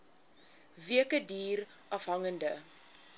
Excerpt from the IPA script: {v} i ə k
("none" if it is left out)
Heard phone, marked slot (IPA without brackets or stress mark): v